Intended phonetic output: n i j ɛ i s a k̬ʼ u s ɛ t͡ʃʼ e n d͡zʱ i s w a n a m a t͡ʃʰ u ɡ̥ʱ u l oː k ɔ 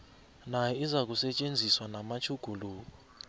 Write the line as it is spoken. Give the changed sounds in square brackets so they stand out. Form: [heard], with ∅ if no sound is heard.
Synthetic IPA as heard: n [a] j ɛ i [z] a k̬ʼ u s ɛ t͡ʃʼ e n d͡zʱ i s w a n a m a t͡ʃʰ u ɡ̥ʱ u l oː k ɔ